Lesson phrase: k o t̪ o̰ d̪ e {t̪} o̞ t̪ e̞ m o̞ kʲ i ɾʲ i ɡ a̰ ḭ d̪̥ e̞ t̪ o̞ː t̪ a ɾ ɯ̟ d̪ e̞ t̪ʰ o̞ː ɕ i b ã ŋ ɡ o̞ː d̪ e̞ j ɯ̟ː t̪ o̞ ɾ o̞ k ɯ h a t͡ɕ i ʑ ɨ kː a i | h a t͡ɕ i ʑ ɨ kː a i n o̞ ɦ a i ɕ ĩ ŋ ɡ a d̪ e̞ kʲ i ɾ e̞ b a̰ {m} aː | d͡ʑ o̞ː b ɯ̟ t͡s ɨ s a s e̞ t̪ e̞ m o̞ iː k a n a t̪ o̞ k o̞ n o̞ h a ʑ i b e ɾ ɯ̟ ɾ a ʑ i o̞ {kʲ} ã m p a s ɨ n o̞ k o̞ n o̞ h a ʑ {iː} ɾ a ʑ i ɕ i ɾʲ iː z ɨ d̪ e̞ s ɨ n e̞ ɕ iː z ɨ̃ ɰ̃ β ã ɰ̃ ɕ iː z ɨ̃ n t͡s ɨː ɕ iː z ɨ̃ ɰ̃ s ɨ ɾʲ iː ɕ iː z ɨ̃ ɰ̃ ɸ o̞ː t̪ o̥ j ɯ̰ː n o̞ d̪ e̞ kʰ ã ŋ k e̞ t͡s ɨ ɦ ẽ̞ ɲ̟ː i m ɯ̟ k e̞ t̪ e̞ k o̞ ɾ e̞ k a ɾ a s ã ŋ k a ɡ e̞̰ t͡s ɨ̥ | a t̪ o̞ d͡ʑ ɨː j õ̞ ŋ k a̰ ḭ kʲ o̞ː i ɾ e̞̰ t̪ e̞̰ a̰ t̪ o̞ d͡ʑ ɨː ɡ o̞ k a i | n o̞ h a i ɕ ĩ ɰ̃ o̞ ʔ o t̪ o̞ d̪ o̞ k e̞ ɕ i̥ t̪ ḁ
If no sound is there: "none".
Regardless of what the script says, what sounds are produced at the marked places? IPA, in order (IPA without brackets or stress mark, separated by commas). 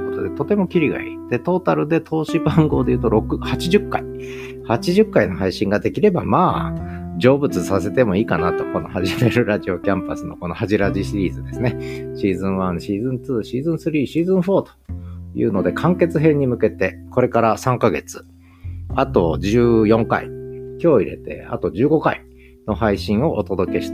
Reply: t̪, m, kʲ, i